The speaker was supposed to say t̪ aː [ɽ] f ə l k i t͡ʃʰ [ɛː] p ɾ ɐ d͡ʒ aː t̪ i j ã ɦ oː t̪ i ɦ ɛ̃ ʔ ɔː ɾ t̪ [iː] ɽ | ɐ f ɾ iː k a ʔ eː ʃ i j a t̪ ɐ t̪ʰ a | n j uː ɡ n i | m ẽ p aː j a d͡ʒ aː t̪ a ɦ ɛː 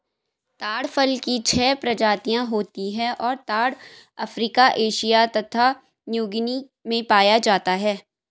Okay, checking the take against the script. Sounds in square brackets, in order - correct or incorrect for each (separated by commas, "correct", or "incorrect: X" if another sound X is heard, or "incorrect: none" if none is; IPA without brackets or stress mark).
correct, correct, incorrect: aː